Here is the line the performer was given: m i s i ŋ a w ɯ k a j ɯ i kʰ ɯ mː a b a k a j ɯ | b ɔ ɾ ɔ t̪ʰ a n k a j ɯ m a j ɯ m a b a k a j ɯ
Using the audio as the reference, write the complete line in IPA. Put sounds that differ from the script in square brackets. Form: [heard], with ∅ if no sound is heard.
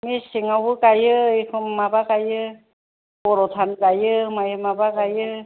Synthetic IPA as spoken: m i s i ŋ a w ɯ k a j ɯ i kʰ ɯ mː a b a k a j ɯ | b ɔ ɾ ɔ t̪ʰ a n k a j ɯ m a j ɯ m a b a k a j ɯ